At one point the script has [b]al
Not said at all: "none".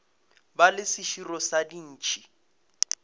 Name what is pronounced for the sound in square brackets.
b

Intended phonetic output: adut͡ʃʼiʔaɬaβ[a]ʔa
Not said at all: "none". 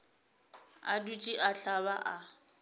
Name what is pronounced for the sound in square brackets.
a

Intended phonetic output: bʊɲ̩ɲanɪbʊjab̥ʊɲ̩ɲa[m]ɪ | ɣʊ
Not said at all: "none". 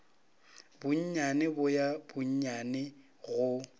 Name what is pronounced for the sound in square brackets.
n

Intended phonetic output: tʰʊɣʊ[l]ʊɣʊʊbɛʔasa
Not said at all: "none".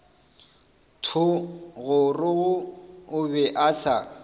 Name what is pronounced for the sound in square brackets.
r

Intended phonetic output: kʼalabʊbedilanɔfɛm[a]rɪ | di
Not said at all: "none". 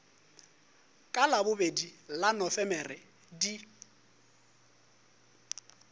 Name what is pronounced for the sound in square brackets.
ɛ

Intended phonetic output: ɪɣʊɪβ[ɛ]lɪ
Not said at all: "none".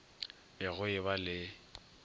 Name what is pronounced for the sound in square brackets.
a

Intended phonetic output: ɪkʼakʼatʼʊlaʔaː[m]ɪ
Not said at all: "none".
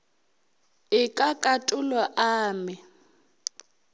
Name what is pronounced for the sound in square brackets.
m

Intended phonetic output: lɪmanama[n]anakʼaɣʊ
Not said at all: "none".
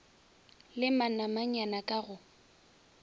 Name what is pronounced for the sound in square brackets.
ɲ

